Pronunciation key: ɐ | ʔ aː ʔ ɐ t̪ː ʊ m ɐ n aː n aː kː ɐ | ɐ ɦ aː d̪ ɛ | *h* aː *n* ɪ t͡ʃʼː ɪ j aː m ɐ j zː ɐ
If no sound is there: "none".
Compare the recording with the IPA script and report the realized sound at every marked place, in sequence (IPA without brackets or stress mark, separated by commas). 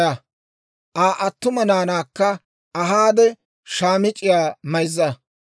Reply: ʃ, m